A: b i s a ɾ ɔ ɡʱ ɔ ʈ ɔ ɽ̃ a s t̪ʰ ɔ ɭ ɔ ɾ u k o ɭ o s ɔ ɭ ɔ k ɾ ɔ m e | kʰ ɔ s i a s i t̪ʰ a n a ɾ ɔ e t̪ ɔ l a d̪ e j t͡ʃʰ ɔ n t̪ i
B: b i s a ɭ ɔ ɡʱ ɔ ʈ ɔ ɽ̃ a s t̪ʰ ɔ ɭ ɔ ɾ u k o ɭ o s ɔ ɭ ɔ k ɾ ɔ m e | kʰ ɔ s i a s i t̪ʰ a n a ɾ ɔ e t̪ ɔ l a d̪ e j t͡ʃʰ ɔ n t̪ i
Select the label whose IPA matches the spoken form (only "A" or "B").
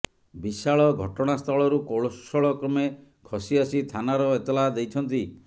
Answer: B